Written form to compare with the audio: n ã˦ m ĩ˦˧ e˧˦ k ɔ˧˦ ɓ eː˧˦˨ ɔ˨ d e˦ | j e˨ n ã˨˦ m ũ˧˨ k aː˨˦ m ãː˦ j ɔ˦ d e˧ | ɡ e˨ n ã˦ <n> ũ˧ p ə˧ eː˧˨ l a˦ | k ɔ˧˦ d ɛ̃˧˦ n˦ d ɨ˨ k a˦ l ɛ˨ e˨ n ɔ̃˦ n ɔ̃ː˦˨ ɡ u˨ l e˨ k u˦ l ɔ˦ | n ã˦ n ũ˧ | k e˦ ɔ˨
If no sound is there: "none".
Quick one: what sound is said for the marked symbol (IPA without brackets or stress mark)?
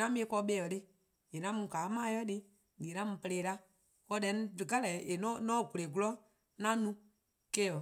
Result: m